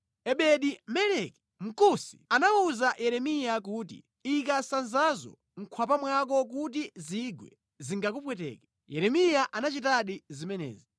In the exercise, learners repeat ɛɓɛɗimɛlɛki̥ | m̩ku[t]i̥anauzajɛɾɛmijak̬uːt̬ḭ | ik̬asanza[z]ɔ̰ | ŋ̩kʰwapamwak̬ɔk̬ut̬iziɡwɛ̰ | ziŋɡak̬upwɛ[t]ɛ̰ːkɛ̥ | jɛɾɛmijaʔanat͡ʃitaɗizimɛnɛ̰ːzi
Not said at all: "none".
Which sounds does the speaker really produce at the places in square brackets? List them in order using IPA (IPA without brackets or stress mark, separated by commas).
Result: s, z, t